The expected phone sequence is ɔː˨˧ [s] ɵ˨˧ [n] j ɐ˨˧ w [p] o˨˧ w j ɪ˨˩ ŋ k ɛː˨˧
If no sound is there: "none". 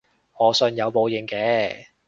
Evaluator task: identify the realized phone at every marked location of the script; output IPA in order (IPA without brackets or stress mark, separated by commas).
s, n, p